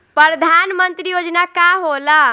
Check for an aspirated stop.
absent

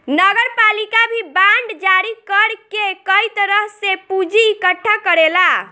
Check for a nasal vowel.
absent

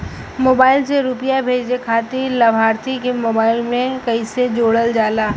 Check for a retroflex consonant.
present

